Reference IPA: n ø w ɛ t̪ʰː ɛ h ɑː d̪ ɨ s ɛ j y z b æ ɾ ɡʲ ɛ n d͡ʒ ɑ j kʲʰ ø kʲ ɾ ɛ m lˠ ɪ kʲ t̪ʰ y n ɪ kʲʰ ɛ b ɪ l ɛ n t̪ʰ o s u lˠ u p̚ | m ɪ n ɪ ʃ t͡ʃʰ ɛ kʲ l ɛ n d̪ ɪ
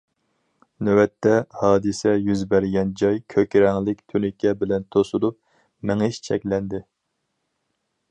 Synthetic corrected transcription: n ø w ɛ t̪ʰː ɛ h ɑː d̪ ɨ s ɛ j y z b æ ɾ ɡʲ ɛ n d͡ʒ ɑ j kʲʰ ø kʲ ɾ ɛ ŋ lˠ ɪ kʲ t̪ʰ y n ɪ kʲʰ ɛ b ɪ l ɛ n t̪ʰ o s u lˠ u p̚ | m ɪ ŋ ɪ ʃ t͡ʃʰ ɛ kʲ l ɛ n d̪ ɪ